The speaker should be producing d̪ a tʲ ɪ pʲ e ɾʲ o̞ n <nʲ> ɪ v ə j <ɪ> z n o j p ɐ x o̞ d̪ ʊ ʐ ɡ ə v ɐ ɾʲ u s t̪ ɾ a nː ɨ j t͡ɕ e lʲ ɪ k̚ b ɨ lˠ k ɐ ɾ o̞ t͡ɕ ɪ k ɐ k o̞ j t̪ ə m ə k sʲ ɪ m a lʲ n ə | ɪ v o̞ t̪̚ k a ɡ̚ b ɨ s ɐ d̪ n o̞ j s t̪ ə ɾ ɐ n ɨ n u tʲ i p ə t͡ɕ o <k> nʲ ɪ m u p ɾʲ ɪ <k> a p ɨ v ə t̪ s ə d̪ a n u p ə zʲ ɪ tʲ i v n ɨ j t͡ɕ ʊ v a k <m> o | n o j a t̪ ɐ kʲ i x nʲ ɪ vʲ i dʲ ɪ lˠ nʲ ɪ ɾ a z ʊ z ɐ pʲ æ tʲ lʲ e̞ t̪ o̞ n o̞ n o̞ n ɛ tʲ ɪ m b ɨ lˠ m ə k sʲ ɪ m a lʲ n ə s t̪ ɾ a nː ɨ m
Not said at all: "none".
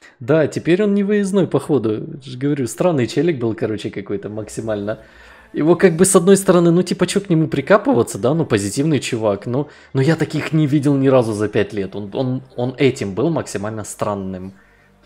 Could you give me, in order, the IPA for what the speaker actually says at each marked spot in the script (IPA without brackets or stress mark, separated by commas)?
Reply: nʲ, ɪ, k, k, n